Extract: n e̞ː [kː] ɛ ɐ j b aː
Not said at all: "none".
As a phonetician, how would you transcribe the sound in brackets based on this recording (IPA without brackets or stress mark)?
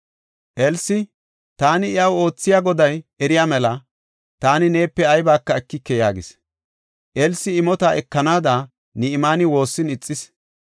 pː